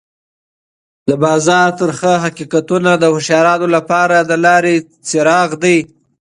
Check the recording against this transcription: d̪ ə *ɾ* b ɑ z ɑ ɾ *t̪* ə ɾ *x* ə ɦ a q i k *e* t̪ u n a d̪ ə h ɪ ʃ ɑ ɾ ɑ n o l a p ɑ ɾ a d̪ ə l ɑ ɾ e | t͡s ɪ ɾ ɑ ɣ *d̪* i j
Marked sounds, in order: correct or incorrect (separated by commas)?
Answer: incorrect, correct, correct, incorrect, correct